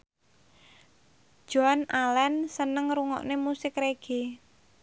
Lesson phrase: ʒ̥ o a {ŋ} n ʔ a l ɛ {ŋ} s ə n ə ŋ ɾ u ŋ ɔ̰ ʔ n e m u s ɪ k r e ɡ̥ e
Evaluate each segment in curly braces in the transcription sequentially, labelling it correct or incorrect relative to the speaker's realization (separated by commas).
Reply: incorrect, incorrect